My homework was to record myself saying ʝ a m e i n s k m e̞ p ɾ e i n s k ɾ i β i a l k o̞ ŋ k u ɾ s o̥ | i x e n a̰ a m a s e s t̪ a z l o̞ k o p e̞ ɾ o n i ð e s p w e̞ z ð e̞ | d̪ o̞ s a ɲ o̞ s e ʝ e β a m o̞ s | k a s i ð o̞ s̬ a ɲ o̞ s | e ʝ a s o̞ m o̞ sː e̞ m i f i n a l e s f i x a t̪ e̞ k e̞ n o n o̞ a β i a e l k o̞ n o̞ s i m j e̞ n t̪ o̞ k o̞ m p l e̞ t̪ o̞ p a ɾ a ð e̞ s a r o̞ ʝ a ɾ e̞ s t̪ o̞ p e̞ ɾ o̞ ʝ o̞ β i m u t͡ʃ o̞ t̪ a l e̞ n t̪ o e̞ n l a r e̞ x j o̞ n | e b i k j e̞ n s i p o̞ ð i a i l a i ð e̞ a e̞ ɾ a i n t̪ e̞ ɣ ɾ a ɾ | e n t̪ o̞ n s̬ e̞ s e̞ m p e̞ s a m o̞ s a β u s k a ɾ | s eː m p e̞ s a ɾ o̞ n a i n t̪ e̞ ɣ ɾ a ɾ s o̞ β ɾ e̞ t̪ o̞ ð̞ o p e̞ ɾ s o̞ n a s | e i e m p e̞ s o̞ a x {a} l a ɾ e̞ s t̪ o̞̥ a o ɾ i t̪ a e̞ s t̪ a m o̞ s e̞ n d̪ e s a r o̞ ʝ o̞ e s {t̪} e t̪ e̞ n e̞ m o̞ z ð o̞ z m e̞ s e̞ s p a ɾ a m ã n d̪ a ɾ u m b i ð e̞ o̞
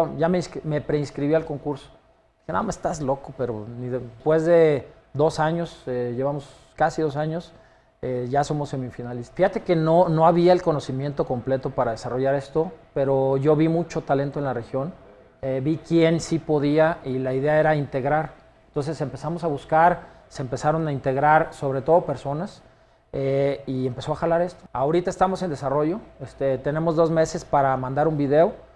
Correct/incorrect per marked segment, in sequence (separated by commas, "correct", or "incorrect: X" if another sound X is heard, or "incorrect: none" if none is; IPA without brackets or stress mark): correct, correct